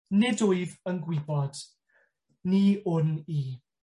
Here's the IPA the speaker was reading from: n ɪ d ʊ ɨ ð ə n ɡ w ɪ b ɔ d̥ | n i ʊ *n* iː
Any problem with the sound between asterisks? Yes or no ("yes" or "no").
no